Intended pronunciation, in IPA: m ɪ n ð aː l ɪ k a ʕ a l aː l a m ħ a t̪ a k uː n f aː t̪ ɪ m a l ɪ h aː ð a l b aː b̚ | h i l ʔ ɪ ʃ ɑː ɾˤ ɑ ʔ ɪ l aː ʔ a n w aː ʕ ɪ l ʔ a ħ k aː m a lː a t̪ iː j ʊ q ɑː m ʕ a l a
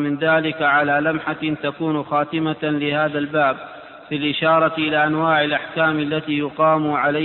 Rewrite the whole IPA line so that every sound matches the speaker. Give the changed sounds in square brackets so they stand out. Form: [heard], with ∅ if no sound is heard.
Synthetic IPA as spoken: m ɪ n ð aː l ɪ k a ʕ a l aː l a m ħ a t̪ a k uː n [x] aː t̪ ɪ m a l ɪ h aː ð a l b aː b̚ | [f] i l ʔ ɪ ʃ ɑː ɾˤ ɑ ʔ ɪ l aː ʔ a n w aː ʕ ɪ l ʔ a ħ k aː m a lː a t̪ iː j ʊ q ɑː m ʕ a l a